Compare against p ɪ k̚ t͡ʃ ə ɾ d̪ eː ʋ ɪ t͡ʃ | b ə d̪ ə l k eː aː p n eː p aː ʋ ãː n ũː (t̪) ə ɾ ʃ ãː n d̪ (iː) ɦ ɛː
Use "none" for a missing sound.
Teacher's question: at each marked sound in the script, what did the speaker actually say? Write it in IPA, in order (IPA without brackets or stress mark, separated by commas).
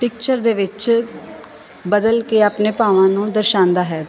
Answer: d̪, aː